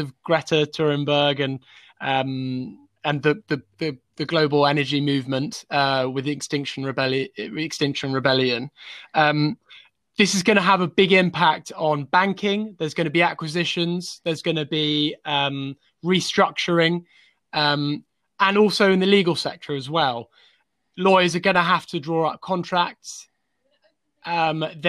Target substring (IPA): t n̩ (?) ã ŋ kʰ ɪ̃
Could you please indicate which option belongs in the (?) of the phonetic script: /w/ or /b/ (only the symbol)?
b